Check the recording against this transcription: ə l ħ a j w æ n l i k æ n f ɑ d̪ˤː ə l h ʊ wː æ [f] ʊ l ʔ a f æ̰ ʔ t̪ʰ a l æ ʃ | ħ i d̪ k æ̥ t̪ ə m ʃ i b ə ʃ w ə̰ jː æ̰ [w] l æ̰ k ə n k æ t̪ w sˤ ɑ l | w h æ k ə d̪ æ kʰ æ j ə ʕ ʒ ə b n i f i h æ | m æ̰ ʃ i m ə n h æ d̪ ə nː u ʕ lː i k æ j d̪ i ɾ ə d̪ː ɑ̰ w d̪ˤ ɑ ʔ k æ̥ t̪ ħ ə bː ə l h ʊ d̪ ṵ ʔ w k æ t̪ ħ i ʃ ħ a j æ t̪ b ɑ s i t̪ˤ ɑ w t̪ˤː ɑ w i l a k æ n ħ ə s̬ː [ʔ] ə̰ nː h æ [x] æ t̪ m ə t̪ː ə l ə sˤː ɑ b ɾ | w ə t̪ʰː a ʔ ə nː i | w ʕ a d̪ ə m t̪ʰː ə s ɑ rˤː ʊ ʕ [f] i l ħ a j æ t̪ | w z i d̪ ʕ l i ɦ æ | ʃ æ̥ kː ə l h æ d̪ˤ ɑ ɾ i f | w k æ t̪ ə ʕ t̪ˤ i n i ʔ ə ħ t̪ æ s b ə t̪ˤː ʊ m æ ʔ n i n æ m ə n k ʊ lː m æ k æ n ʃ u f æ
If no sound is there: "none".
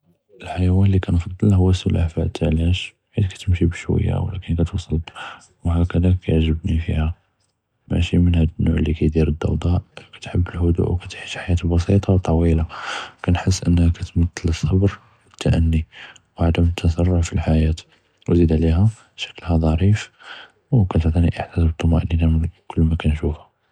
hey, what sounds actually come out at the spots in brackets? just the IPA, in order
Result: s, w, ʔ, k, f

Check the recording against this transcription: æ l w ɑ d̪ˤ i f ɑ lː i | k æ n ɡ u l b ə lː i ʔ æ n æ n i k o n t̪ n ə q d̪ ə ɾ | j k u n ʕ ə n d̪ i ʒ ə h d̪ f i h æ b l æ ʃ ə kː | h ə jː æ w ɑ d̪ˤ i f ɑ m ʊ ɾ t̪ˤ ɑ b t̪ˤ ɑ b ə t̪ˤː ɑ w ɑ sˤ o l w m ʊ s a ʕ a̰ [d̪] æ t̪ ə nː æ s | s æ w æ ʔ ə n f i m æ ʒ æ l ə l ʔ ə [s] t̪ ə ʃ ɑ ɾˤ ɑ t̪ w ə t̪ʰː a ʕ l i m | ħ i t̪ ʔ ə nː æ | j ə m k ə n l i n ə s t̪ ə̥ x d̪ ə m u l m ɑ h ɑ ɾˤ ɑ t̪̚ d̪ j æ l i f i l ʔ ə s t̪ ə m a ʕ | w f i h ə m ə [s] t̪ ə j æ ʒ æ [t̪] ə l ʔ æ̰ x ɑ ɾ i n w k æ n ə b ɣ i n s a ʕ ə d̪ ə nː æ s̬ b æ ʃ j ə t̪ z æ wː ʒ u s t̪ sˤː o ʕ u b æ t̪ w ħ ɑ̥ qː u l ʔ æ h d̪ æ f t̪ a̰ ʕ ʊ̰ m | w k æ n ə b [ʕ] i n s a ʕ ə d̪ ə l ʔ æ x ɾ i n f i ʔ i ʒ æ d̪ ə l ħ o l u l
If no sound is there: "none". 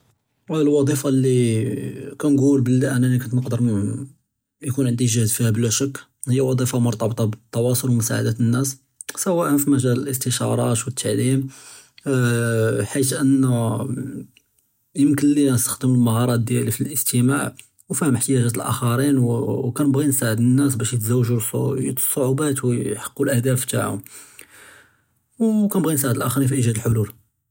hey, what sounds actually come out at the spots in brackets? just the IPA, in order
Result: d̪, s, ħ, t̪, ɣ

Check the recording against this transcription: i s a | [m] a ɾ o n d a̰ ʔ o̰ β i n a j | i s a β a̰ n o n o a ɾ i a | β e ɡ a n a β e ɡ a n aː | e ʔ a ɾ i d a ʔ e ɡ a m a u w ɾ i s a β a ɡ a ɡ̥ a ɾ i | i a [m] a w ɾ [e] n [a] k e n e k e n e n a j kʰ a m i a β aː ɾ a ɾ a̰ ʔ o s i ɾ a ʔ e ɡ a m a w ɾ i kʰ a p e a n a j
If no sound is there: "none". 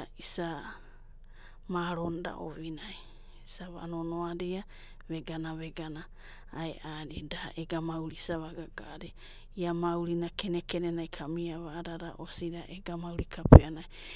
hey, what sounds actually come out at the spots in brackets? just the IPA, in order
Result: m, m, i, a

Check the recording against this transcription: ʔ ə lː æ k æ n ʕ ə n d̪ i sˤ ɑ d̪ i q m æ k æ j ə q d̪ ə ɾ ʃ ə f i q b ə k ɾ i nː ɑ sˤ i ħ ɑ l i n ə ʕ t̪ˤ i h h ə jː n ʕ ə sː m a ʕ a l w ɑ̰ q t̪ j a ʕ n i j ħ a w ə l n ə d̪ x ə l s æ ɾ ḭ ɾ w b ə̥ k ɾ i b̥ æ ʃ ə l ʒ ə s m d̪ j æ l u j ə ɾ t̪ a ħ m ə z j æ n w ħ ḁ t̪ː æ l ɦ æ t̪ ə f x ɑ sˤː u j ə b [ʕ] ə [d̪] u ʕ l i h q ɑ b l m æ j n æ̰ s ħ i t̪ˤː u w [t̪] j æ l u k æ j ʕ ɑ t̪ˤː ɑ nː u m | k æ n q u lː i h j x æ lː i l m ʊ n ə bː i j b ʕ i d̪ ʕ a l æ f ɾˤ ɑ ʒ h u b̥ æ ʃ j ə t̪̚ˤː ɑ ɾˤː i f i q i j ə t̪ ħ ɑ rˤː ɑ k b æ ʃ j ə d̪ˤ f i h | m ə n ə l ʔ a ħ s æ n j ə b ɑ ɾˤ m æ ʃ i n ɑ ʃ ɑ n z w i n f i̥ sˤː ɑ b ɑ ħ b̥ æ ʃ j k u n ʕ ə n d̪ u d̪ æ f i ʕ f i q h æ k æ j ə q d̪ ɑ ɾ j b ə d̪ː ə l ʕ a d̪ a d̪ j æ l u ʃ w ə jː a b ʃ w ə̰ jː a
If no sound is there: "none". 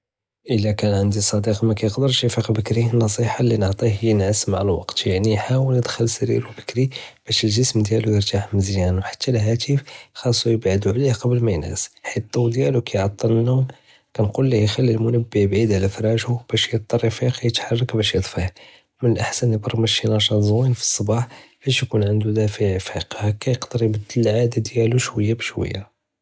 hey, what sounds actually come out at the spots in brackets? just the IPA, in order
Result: ʕ, d̪, d̪

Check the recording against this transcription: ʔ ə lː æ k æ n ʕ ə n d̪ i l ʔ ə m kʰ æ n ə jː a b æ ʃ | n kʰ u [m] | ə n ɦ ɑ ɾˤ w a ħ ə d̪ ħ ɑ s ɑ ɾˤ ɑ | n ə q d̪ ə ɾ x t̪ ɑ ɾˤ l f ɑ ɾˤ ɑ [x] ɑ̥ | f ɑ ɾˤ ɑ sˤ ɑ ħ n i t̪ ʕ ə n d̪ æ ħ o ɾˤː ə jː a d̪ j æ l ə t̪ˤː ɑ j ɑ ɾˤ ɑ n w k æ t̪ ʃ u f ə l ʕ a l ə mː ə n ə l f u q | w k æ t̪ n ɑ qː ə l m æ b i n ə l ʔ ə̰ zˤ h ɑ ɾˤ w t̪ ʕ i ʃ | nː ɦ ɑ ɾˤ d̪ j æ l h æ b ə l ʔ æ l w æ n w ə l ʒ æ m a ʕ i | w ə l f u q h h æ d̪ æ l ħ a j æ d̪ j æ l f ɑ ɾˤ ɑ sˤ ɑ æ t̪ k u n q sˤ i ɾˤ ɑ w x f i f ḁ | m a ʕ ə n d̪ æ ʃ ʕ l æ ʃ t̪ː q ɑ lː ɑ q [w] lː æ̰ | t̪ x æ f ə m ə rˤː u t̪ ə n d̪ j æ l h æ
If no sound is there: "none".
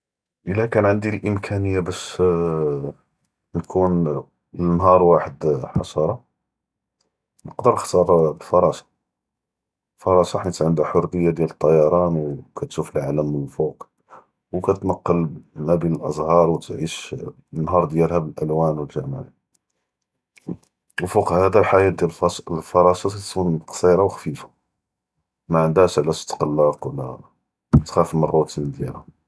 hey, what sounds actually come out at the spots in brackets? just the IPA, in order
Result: n, s, w

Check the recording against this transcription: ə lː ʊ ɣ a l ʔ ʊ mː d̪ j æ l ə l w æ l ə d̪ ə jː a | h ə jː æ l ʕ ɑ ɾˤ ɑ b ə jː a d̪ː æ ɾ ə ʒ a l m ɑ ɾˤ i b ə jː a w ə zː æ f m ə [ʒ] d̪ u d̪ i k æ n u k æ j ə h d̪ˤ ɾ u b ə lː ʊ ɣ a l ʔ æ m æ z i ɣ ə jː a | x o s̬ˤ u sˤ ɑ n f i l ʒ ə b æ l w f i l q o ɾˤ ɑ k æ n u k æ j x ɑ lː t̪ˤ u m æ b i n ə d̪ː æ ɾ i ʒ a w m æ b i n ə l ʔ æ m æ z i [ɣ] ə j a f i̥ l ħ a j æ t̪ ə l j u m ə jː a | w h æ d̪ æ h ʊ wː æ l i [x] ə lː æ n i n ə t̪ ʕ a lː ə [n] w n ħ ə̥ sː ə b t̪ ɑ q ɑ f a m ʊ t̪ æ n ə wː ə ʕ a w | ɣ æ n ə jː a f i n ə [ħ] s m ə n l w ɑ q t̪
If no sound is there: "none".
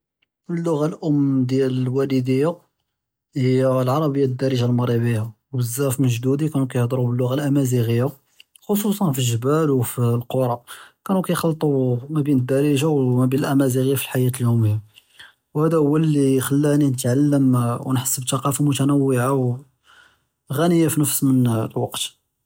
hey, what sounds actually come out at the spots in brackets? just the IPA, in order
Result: ʒ, ɣ, x, m, f

